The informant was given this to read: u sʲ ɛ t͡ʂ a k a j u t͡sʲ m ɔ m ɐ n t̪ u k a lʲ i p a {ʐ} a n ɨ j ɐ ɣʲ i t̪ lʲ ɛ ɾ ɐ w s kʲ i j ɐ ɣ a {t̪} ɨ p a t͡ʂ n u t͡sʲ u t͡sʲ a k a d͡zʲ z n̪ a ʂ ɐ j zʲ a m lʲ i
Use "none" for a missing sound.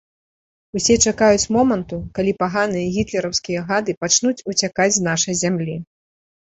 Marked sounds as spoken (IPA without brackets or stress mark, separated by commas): ɣ, d̪